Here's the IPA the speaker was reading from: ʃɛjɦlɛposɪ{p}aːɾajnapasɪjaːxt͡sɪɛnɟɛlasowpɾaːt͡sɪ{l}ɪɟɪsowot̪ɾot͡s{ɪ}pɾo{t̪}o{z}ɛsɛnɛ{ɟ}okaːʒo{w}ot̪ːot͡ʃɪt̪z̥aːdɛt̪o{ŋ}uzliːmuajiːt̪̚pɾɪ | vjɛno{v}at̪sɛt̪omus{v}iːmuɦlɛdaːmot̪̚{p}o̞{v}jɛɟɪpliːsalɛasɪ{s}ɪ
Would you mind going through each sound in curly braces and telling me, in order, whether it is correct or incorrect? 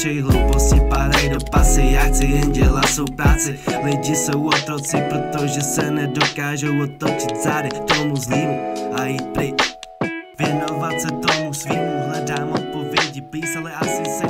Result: correct, correct, correct, correct, incorrect: ʒ, incorrect: d, correct, incorrect: m, correct, correct, correct, correct, correct

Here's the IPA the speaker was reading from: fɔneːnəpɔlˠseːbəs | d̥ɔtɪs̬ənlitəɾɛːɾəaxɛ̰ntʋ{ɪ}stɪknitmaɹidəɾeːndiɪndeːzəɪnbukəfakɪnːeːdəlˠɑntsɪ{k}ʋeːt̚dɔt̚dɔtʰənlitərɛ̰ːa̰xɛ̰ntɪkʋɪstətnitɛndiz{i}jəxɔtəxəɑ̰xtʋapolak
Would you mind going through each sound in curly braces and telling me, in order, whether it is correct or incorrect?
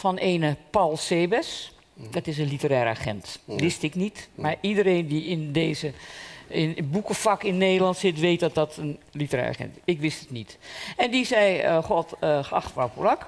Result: correct, incorrect: t, incorrect: ɛ

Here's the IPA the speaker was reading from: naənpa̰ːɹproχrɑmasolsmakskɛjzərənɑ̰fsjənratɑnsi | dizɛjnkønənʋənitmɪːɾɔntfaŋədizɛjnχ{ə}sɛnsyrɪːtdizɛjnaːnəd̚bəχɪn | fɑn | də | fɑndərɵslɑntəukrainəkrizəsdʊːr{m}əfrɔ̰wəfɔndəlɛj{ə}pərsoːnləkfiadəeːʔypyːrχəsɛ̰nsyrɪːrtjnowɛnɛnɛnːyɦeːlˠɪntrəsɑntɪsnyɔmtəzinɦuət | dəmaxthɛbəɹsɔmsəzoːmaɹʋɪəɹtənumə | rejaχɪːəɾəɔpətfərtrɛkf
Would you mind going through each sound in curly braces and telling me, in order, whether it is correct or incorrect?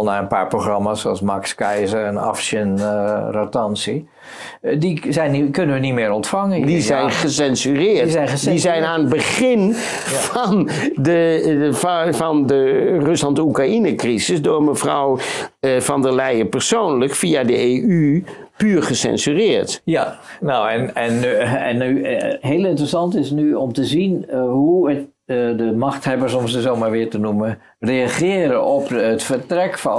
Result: correct, correct, correct

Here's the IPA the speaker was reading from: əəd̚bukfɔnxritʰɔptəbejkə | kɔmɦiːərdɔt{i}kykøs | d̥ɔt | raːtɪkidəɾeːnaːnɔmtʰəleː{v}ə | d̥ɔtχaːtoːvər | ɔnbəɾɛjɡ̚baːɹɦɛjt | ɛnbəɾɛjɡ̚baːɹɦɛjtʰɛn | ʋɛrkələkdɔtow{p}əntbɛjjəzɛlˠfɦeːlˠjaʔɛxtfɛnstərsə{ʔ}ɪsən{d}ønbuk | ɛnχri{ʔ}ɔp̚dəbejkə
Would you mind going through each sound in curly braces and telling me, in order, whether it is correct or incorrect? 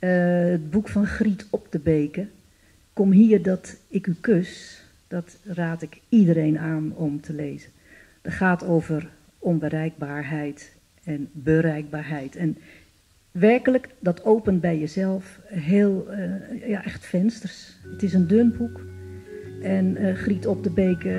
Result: incorrect: ɪ, incorrect: z, correct, incorrect: t, correct, incorrect: t

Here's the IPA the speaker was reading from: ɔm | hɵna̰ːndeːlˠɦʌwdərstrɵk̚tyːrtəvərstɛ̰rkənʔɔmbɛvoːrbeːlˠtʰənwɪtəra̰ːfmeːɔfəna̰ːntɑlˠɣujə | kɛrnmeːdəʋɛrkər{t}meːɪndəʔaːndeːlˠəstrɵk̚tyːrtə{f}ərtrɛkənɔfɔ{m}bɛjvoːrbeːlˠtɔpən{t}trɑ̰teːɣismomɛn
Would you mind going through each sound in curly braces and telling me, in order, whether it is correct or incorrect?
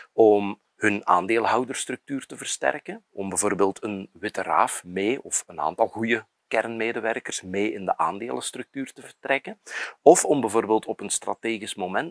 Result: incorrect: s, incorrect: v, correct, incorrect: s

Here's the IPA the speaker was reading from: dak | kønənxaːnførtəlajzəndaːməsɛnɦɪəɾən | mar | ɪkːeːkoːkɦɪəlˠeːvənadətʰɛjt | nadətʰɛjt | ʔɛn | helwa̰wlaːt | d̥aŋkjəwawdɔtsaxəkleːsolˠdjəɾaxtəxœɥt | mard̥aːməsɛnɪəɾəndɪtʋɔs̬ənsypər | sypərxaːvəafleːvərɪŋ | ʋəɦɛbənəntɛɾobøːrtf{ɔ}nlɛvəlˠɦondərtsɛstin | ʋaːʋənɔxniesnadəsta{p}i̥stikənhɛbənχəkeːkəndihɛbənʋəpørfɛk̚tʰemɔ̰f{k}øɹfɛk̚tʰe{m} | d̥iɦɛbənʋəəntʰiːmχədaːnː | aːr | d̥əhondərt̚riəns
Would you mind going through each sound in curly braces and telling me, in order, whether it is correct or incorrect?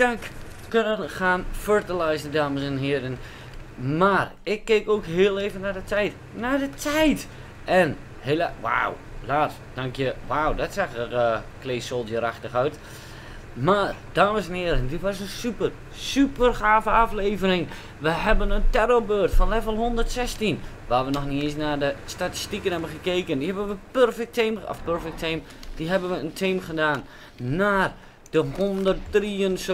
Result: correct, incorrect: t, incorrect: p, correct

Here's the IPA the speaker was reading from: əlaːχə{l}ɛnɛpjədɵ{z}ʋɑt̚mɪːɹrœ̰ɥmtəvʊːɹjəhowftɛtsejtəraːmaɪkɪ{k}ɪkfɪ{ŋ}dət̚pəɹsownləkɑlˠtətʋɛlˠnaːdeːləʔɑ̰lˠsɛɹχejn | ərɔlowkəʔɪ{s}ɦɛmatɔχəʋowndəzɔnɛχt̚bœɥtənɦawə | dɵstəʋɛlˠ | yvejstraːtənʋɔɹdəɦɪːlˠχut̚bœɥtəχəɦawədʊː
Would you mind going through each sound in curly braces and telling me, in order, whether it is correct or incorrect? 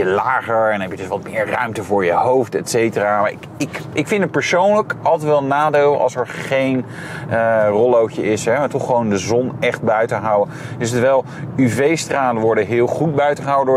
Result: incorrect: ɹ, incorrect: s, correct, incorrect: n, correct

